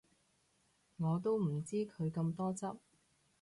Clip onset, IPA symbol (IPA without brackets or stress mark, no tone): ŋ